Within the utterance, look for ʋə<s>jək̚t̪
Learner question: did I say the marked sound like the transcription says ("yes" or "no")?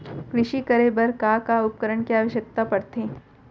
no